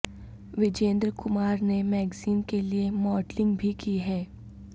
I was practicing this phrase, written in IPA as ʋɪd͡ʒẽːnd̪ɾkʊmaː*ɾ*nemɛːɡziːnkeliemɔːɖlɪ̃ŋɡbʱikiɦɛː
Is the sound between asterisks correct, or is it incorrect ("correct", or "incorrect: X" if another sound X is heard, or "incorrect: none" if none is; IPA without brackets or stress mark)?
correct